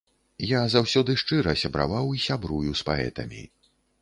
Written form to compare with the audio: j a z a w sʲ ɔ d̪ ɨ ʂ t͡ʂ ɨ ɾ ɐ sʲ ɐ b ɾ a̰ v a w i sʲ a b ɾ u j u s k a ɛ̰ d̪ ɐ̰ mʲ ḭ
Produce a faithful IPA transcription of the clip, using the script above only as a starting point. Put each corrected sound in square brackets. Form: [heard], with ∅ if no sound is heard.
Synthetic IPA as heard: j a z a w sʲ ɔ d̪ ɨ ʂ t͡ʂ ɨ ɾ ɐ sʲ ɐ b ɾ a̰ v a w i sʲ a b ɾ u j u s [p] a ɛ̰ [t̪] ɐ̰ mʲ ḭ

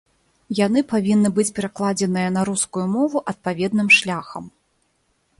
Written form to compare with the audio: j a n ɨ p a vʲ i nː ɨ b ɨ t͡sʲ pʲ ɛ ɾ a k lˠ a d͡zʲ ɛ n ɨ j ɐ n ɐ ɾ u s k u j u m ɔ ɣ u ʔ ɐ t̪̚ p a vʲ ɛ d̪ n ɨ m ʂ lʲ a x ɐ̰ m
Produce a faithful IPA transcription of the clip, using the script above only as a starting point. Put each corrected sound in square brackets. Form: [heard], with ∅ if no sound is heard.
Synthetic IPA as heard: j a n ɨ p a vʲ i nː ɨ b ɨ t͡sʲ pʲ ɛ ɾ a k lˠ a d͡zʲ ɛ n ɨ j ɐ n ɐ ɾ u s k u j u m ɔ [v] u ʔ ɐ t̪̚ p a vʲ ɛ d̪ n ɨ m ʂ lʲ a x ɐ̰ m

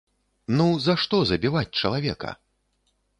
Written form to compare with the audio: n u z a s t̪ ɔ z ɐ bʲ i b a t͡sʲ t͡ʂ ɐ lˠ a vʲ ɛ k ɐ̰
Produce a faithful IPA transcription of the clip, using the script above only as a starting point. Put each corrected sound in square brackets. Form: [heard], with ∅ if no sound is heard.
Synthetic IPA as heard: n u z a [ʂ] t̪ ɔ z ɐ bʲ i [v] a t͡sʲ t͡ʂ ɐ lˠ a vʲ ɛ k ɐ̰

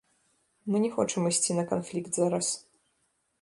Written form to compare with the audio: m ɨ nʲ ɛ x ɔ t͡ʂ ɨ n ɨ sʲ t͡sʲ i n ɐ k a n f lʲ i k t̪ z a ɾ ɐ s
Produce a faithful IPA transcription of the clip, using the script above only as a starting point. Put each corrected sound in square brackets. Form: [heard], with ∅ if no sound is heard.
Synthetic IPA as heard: m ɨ nʲ ɛ x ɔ t͡ʂ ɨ [m] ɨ sʲ t͡sʲ i n ɐ k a n f lʲ i k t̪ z a ɾ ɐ s

